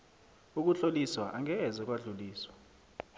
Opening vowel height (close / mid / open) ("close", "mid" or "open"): close